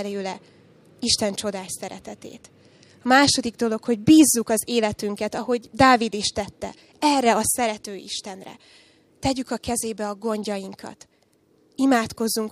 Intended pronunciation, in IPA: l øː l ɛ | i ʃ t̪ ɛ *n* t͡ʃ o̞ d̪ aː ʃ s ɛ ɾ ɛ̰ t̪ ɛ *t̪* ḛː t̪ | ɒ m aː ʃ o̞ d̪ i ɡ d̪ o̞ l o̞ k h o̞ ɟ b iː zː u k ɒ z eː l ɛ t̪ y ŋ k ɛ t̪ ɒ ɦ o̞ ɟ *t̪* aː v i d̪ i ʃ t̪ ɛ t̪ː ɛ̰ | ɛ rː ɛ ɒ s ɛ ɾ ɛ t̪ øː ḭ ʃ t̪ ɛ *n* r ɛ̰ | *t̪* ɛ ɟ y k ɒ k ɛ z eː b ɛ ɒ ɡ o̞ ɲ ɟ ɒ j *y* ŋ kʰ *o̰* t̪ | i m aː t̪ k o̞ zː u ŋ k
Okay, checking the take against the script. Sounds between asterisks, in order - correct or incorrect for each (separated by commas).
correct, correct, incorrect, correct, correct, incorrect, incorrect